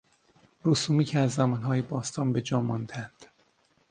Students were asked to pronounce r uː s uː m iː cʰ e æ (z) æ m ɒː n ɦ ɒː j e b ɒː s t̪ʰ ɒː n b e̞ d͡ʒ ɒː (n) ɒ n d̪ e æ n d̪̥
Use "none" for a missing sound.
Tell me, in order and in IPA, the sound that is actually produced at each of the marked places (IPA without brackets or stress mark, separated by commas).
zː, m